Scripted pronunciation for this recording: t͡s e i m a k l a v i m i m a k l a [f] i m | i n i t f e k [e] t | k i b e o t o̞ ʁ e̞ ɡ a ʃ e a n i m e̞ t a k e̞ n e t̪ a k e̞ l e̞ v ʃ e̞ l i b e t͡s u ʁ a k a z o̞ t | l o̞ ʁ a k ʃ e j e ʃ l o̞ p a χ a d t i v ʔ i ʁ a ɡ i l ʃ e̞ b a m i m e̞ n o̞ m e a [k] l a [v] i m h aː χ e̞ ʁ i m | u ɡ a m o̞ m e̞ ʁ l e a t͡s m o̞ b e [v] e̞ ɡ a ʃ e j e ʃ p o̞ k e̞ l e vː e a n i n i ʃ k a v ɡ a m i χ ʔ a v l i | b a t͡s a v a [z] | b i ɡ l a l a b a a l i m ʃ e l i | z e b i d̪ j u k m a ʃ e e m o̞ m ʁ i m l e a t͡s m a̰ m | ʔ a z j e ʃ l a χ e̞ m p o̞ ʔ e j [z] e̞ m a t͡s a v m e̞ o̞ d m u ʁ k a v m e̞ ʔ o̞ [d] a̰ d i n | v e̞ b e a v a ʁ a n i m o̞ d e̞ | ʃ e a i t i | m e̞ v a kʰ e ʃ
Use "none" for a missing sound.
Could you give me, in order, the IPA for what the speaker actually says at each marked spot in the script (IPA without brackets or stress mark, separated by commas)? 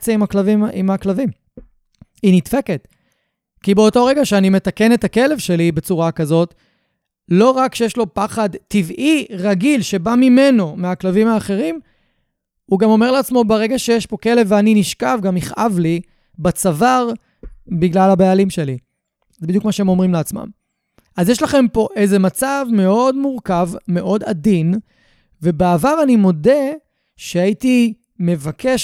v, e, k, v, ʁ, ʁ, z, d